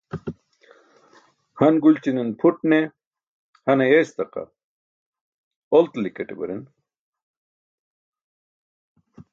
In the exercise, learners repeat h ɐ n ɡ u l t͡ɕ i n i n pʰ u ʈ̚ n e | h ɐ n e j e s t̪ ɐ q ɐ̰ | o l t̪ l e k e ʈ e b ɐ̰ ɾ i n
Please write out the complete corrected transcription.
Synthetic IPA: h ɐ n ɡ u l t͡ɕ i n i n pʰ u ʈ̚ n e | h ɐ n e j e s t̪ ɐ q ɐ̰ | o l t̪ l i k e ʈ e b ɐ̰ ɾ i n